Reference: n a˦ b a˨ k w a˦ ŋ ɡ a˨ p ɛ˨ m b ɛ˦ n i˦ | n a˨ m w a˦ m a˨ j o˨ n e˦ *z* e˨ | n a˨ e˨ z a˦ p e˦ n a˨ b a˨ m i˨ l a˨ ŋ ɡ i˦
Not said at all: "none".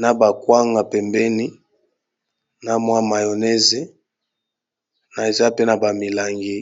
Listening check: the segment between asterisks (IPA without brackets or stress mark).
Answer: z